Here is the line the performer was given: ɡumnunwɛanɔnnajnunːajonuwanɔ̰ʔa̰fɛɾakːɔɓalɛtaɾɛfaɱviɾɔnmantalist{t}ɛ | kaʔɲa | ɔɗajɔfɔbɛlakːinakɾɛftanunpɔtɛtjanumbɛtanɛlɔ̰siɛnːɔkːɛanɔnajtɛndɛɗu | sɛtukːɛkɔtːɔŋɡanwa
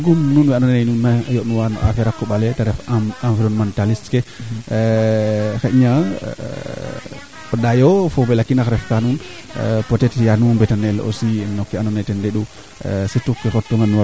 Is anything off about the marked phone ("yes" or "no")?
yes